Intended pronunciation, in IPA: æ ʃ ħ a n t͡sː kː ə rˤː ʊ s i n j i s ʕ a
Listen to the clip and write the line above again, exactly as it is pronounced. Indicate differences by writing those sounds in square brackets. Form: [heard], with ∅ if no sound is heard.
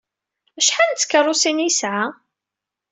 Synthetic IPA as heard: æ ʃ ħ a n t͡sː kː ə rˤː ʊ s i n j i s ʕ a